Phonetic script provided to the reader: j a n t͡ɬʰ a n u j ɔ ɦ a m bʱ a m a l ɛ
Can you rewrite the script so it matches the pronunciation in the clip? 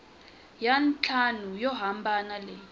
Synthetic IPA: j a n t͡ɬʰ a n u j ɔ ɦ a m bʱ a n a l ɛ